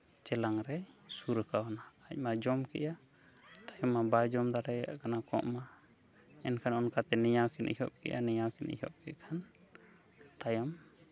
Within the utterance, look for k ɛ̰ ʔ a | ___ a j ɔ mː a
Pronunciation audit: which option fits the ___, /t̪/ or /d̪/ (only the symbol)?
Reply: t̪